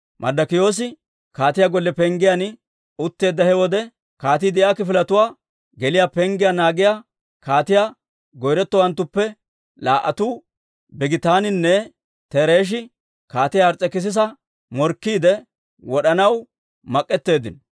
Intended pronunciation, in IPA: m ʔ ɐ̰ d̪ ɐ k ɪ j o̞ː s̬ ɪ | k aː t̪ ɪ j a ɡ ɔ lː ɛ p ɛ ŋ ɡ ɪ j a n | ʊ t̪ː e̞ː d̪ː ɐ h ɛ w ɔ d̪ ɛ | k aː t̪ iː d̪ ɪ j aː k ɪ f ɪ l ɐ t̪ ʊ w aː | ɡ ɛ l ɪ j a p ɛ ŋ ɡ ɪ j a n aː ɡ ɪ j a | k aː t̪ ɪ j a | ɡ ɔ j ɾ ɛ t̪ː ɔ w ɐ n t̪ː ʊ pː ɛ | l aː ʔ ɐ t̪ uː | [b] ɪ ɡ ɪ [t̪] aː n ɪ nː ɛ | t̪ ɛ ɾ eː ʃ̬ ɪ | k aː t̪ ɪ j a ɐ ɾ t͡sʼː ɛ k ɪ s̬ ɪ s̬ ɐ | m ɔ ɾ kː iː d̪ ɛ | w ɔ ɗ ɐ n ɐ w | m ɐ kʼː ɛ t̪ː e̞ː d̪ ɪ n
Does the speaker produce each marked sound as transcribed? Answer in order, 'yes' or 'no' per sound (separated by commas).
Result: yes, yes